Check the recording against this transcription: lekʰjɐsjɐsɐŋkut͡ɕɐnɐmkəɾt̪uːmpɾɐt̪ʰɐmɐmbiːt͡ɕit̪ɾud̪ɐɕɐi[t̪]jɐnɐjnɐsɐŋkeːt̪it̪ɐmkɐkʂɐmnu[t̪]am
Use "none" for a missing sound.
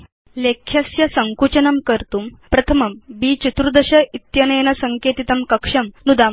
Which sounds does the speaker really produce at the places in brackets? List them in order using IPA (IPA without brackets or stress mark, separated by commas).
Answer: t̪, d̪